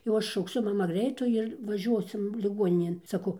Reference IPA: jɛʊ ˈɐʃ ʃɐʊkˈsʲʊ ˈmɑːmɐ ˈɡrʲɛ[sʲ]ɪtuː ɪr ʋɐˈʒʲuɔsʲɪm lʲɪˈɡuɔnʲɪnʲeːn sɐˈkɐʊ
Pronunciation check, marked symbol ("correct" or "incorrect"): incorrect